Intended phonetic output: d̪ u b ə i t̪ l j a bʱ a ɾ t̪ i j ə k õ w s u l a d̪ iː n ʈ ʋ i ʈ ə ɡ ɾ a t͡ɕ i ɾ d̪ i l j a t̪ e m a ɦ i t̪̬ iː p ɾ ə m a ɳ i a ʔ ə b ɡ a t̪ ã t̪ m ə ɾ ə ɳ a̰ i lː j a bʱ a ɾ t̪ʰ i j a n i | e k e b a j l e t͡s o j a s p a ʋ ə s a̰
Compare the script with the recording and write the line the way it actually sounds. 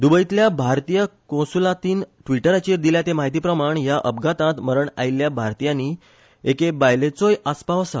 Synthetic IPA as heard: d̪ u b ə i t̪ l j a bʱ a ɾ t̪ i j ə k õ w s u l a t̪ iː n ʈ ʋ i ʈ ə ɾ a t͡ɕ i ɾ d̪ i l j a t̪ e m a ɦ i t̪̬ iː p ɾ ə m a ɳ j a ʔ ə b ɡ a t̪ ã t̪ m ə ɾ ə ɳ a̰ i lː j a bʱ a ɾ t̪ i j a n i | e k e b a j l e t͡s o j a s p a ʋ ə s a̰